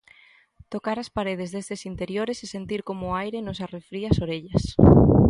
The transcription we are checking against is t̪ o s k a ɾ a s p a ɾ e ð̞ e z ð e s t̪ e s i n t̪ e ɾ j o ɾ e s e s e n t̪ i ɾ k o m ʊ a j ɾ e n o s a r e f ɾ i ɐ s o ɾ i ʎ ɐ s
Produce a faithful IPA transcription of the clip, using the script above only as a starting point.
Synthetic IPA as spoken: t̪ o k a ɾ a s p a ɾ e ð̞ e z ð e s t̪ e s i n t̪ e ɾ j o ɾ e s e s e n t̪ i ɾ k o m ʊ a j ɾ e n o s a r e f ɾ i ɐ s o ɾ e ʎ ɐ s

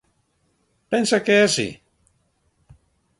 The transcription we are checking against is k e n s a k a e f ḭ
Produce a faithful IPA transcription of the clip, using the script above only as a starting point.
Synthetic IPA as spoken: p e n s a k e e s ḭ

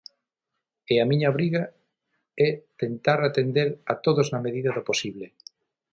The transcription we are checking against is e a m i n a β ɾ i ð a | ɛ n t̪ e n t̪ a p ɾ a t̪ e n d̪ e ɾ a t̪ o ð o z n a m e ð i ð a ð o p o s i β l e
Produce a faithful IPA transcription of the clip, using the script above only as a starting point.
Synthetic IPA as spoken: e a m i ɲ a β ɾ i ɣ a | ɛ t̪ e n t̪ a ɾ a t̪ e n d̪ e ɾ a t̪ o ð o z n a m e ð i ð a ð o p o s i β l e

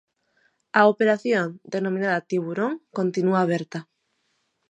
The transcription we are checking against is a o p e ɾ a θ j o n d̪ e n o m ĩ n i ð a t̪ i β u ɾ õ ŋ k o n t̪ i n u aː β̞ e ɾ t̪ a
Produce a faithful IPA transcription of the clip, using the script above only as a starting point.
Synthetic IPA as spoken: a o p e ɾ a θ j o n d̪ e n o m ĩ n a ð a t̪ i β u ɾ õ ŋ k o n t̪ i n u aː β̞ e ɾ t̪ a

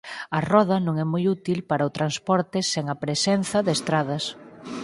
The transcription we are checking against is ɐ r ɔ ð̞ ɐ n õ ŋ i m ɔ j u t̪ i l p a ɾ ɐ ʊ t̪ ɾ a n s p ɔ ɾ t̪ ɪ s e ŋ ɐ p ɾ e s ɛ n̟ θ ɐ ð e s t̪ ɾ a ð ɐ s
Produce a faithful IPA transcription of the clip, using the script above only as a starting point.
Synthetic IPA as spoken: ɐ r ɔ ð̞ ɐ n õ ŋ ɛ m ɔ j u t̪ i l p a ɾ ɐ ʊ t̪ ɾ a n s p ɔ ɾ t̪ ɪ s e ŋ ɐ p ɾ e s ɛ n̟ θ ɐ ð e s t̪ ɾ a ð ɐ s

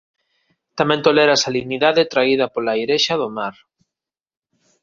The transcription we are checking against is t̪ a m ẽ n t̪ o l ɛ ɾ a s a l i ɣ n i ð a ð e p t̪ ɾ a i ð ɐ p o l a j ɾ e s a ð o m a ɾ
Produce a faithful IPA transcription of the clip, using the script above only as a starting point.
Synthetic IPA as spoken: t̪ a m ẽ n t̪ o l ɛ ɾ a s a l i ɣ n i ð a ð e t̪ ɾ a i ð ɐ p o l a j ɾ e ʃ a ð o m a ɾ

